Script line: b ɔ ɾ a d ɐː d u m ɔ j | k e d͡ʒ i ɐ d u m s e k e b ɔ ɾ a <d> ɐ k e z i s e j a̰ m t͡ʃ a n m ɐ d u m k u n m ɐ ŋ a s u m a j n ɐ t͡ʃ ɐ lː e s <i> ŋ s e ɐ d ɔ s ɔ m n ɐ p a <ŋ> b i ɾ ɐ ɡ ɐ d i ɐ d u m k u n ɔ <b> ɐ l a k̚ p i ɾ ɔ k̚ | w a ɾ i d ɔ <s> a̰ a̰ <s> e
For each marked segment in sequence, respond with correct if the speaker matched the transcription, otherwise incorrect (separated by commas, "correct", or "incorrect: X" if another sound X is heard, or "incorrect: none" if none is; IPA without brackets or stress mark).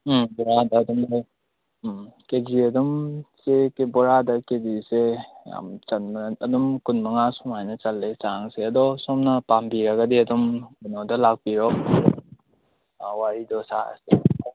correct, incorrect: a, incorrect: m, incorrect: d, correct, correct